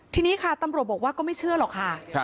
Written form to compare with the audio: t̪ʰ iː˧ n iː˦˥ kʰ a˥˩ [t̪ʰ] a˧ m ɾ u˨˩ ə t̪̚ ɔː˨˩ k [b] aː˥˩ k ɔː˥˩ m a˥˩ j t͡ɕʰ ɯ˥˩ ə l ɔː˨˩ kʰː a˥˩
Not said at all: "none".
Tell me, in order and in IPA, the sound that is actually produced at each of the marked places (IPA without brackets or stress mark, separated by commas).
t̪, w